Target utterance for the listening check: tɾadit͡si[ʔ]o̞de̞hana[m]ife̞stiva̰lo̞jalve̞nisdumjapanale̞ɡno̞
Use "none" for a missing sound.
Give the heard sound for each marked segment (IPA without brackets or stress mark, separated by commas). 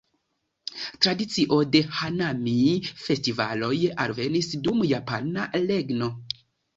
ʔ, m